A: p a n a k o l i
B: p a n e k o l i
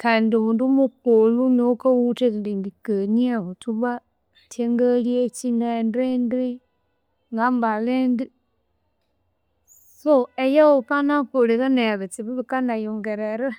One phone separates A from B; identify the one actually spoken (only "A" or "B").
A